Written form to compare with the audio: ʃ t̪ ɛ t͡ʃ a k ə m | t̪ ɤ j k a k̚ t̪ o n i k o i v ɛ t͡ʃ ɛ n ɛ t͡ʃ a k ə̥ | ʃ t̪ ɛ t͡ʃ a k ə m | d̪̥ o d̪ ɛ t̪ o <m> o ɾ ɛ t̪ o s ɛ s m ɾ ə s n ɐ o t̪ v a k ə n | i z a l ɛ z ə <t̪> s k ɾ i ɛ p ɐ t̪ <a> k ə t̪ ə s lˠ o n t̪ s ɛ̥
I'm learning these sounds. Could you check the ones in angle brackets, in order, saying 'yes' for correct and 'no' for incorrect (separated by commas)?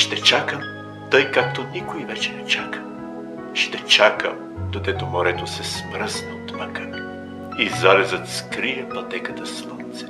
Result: yes, yes, no